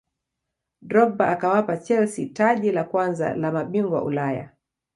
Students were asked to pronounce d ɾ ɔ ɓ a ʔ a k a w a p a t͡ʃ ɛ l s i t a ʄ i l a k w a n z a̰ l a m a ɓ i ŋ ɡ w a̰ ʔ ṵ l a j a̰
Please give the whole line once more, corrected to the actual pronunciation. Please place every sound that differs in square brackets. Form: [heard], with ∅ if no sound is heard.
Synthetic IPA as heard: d ɾ ɔ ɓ a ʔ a k a w a p a t͡ʃ ɛ l s i t a ʄ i l a k w a n z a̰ l a m a ɓ i ŋ ɡ w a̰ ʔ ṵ l a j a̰